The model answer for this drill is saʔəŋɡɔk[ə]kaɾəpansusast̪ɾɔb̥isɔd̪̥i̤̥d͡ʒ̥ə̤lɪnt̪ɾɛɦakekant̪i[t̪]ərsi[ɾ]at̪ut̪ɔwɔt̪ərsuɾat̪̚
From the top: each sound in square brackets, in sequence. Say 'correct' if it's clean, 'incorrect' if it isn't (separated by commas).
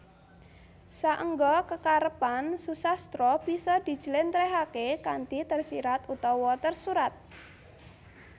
correct, correct, correct